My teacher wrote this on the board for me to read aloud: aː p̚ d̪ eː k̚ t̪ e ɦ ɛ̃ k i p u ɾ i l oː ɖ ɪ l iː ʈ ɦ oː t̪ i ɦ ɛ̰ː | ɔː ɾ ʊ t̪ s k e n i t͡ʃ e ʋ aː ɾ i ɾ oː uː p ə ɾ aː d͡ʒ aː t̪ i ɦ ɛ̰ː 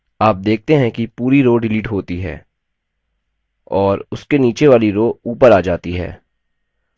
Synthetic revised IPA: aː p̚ d̪ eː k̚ t̪ e ɦ ɛ̃ k i p uː ɾ i ɾ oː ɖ ɪ l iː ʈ ɦ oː t̪ i ɦ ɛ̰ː | ɔː ɾ ʊ s k e n iː t͡ʃ e ʋ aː l i ɾ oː uː p ə ɾ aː d͡ʒ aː t̪ i ɦ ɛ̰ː